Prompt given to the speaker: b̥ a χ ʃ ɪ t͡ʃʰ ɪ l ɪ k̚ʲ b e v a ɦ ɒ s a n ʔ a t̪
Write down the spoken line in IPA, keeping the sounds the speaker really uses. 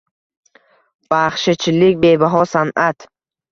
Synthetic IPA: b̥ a χ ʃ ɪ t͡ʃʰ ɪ l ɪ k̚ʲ b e b a ɦ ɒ s a n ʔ a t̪